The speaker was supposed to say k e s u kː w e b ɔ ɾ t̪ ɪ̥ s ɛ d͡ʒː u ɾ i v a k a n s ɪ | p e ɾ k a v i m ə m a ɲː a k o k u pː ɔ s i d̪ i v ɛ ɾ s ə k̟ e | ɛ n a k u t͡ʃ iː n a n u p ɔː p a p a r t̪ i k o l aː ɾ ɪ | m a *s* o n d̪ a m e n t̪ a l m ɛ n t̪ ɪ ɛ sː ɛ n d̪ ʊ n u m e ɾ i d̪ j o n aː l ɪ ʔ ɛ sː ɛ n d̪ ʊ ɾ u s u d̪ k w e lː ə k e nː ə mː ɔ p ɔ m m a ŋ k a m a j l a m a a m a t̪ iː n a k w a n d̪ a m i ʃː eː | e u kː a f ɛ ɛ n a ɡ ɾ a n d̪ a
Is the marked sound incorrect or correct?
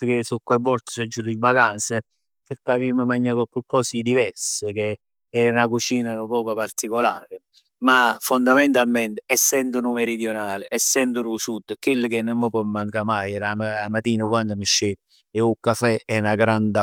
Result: incorrect: f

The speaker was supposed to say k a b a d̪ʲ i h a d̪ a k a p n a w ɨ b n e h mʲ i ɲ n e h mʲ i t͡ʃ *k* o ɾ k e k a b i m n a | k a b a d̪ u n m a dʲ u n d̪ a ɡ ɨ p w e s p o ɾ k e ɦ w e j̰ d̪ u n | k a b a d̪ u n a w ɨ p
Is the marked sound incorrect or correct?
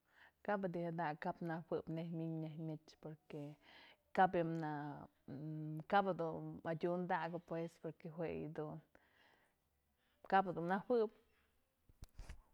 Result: incorrect: p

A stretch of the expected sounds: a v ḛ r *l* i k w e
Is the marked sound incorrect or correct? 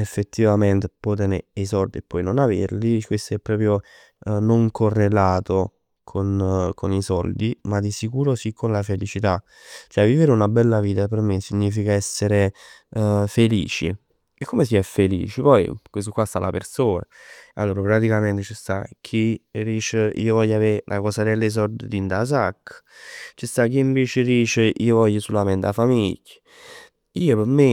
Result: correct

